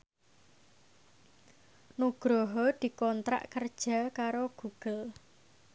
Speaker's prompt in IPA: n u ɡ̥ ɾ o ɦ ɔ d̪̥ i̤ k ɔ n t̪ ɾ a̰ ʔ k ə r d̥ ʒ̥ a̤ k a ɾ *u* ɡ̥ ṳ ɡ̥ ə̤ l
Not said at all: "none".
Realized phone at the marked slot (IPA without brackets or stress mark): o